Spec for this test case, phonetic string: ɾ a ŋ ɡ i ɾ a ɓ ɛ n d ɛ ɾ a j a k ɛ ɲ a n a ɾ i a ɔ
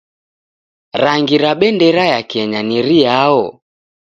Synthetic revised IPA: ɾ a ŋ ɡ i ɾ a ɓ ɛ n d ɛ ɾ a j a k ɛ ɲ a n i ɾ i a ɔ